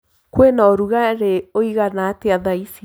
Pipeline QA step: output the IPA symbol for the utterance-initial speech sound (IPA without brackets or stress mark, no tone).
k